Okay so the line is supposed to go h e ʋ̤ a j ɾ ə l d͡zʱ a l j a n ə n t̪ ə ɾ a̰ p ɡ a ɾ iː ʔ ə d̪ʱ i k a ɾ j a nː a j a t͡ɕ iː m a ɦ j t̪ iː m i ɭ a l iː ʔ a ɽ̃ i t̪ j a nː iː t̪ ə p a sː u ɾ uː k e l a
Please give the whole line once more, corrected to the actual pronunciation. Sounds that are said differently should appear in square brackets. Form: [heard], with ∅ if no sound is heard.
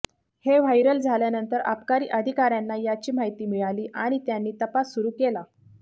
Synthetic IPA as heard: h e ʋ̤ a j ɾ ə l d͡zʱ a l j a n ə n t̪ ə ɾ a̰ p [k] a ɾ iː ʔ ə d̪ʱ i k a ɾ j a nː a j a t͡ɕ iː m a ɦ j t̪ iː m i ɭ a l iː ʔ a ɽ̃ i t̪ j a nː iː t̪ ə p a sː u ɾ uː k e l a